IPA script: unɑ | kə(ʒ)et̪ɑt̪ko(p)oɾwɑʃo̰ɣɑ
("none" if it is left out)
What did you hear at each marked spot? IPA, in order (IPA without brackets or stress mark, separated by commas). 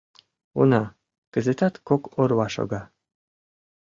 z, k